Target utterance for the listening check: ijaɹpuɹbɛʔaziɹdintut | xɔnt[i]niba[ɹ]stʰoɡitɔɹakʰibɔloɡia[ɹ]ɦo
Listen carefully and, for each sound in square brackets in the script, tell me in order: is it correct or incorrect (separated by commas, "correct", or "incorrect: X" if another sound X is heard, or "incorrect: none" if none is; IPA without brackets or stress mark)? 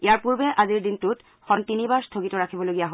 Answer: correct, correct, incorrect: none